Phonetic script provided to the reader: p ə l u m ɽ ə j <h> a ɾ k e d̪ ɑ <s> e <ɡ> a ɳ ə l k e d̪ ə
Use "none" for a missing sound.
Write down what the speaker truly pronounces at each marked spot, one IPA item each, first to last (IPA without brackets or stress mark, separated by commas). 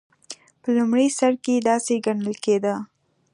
s, s, ɡ